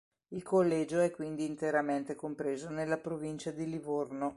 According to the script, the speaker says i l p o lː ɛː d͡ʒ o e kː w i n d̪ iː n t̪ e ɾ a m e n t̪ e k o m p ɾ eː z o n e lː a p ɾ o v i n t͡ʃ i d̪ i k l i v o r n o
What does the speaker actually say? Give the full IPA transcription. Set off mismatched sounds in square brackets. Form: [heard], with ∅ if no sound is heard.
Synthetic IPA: i l [k] o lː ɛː d͡ʒ o [ɛ] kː w i n d̪ iː n t̪ e ɾ a m e n t̪ e k o m p ɾ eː z o n e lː a p ɾ o v i n t͡ʃ [a] d̪ i [∅] l i v o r n o